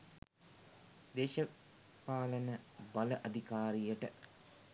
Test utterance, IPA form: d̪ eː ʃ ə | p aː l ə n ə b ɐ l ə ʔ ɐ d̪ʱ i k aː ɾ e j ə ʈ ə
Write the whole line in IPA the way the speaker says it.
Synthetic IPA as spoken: d̪ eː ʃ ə | p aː l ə n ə b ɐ l ə ʔ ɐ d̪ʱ i k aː ɾ i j ə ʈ ə